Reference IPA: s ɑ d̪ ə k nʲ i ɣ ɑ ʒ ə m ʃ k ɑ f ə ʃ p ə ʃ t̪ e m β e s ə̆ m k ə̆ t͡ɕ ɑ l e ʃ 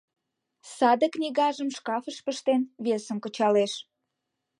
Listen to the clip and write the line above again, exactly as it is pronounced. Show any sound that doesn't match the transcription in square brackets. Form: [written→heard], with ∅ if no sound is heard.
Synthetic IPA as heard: s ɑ d̪ ə k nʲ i ɣ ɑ ʒ ə m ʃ k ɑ f ə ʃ p ə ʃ t̪ e [m→n] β e s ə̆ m k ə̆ t͡ɕ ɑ l e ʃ